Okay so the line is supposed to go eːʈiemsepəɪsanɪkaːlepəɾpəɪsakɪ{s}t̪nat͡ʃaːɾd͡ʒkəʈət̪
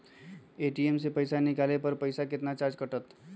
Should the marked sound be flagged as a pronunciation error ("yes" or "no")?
yes